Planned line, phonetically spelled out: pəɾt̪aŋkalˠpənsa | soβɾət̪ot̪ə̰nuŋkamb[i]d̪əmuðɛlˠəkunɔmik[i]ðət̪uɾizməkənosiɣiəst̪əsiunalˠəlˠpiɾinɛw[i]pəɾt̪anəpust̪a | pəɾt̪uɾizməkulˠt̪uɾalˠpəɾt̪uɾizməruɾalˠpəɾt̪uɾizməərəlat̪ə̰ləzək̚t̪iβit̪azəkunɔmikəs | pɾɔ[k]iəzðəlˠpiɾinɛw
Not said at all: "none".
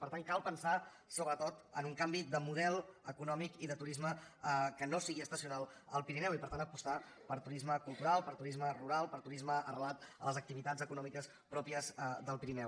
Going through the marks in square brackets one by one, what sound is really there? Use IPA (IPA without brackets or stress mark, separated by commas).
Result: i, i, i, p